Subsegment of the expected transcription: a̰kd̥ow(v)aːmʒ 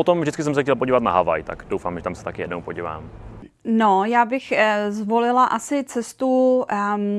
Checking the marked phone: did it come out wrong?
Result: yes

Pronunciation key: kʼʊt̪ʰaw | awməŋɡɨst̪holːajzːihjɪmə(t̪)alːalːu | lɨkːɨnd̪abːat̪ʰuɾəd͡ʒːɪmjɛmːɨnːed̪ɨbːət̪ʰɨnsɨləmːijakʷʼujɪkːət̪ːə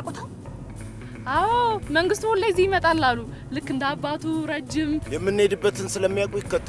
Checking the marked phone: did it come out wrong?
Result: yes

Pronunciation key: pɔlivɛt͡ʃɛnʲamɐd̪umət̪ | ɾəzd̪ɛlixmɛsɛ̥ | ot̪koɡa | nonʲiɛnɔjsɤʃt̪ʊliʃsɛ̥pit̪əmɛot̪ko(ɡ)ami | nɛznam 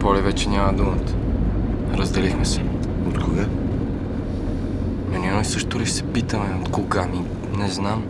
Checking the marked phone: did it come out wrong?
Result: no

